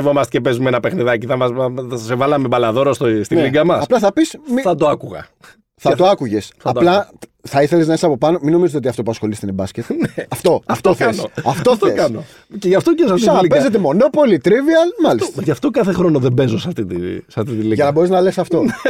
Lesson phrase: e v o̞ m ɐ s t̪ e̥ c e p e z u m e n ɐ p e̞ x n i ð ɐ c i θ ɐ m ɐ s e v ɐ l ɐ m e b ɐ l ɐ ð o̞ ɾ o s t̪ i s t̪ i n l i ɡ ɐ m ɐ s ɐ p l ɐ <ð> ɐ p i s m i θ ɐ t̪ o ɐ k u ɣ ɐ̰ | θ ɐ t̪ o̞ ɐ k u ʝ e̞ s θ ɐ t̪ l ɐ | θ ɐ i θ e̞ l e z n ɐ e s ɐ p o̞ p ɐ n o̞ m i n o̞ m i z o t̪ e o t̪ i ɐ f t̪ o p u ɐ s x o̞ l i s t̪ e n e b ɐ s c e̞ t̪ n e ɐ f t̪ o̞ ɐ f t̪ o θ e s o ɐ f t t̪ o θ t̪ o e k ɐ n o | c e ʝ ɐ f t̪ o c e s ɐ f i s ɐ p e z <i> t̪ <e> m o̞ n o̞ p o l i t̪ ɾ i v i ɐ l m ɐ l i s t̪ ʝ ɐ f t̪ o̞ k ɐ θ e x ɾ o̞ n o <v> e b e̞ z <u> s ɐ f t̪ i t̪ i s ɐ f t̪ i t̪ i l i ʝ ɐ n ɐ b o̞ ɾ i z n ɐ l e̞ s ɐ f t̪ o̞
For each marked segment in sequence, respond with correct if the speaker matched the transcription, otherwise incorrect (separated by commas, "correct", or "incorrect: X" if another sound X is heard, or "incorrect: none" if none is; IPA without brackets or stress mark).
incorrect: θ, incorrect: e, correct, incorrect: ð, incorrect: o